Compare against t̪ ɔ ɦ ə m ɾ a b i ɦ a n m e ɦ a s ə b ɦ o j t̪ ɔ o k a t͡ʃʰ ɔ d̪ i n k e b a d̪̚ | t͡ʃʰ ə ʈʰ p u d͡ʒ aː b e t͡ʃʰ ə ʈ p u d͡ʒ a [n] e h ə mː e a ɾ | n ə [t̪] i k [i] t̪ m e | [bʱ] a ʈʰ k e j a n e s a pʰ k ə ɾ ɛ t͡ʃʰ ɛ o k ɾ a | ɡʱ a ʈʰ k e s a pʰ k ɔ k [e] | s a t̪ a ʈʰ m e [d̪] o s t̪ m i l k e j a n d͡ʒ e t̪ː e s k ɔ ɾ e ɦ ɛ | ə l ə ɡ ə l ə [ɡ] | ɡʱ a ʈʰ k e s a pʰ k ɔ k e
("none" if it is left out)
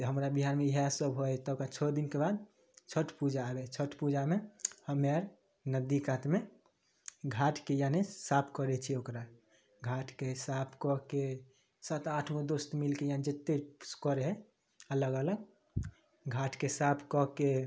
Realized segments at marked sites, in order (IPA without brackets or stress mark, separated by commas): m, d̪, a, ɡʱ, e, d̪, ɡ